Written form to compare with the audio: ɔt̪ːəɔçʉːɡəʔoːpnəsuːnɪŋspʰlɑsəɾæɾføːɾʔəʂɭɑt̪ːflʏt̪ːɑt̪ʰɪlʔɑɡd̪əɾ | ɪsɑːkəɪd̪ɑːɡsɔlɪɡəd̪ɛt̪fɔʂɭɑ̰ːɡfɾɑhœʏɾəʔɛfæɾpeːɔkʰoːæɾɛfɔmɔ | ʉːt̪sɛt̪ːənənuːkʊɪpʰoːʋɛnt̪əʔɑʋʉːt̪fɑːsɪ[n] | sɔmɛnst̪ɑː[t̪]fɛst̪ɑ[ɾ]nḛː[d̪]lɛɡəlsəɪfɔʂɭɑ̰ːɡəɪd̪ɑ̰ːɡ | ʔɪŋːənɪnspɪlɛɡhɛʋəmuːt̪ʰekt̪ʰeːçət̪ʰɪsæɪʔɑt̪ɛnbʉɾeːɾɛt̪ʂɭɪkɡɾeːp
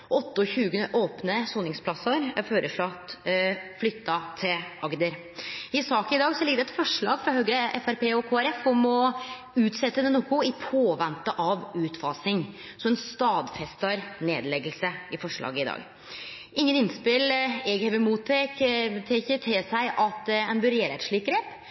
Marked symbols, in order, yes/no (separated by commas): no, no, yes, yes